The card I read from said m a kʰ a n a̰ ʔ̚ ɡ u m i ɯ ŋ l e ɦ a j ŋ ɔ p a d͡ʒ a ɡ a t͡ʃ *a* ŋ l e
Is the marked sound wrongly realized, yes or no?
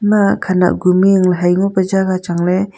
no